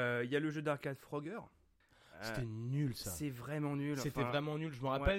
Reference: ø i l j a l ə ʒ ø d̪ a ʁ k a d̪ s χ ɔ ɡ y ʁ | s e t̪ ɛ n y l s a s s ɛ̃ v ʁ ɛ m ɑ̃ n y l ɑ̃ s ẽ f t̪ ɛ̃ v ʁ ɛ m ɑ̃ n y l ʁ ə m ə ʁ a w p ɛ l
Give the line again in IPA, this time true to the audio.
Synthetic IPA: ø i l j a l ə ʒ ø d̪ a ʁ k a d̪ f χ ɔ ɡ œ ʁ | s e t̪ ɛ n y l s a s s ɛ v ʁ ɛ m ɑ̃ n y l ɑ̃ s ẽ f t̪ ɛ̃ v ʁ ɛ m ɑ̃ n y l ʒ ə m ə ʁ a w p ɛ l